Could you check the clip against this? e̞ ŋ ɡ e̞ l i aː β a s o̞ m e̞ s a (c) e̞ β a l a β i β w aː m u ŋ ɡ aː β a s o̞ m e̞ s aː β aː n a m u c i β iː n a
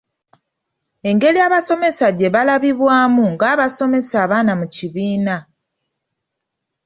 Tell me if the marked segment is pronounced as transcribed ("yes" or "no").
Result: no